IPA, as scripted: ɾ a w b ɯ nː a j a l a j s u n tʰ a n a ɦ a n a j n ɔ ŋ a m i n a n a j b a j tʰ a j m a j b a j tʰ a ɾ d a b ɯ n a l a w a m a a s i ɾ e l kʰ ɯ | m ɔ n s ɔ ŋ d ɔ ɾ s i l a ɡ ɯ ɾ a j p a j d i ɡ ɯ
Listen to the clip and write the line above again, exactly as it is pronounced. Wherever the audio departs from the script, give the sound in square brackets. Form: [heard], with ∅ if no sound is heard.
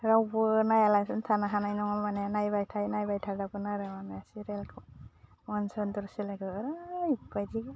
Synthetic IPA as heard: ɾ a w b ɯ [n] a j a l a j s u n tʰ a n a ɦ a n a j n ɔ ŋ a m [a] n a n a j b a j tʰ a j [n] a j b a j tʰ a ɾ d a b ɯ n a [ɾ] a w a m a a s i ɾ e l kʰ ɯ | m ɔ n s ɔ [n] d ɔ ɾ s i l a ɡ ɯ ɾ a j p a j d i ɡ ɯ